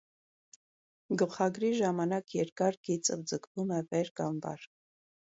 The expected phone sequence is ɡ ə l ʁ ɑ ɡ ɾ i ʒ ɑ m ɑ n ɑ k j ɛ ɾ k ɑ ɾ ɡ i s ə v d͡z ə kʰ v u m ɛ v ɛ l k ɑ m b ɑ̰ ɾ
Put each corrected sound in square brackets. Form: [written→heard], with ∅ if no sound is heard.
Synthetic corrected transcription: ɡ ə l [ʁ→χ] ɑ ɡ ɾ i ʒ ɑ m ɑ n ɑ k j ɛ ɾ k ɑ ɾ ɡ i [s→t͡s] ə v d͡z ə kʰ v u m ɛ v ɛ [l→ɾ] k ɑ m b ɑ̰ ɾ